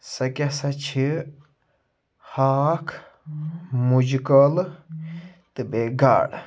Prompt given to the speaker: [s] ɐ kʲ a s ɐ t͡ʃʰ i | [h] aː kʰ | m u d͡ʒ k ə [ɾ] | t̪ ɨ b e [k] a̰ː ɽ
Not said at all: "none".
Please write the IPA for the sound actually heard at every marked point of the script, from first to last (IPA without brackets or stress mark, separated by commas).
s, h, l, ɡ